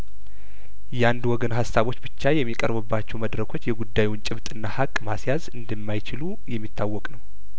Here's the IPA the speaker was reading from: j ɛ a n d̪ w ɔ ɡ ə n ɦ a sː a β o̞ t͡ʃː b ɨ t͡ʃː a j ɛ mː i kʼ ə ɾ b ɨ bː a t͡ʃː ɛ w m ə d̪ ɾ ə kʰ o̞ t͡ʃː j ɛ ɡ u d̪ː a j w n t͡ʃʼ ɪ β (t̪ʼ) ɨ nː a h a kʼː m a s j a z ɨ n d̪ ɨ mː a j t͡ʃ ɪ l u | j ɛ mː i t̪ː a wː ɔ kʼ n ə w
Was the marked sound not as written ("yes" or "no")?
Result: no